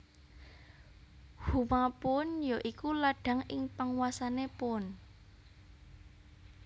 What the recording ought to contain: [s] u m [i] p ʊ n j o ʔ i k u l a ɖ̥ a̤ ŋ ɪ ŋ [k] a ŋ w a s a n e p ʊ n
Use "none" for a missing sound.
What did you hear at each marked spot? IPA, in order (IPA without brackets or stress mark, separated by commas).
h, a, p